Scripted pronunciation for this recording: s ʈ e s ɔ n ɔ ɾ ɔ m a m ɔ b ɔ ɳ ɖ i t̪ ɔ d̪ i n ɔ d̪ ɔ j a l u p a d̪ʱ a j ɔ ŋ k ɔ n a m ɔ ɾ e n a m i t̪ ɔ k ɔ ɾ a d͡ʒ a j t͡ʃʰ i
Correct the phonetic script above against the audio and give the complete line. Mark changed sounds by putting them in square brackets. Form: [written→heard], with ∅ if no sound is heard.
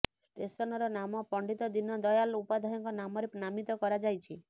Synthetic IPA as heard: s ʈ e s ɔ n ɔ ɾ ɔ [m→n] a m ɔ [b→p] ɔ ɳ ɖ i t̪ ɔ d̪ i n ɔ d̪ ɔ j a l u p a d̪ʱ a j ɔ ŋ k ɔ n a m ɔ ɾ e n a m i t̪ ɔ k ɔ ɾ a d͡ʒ a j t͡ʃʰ i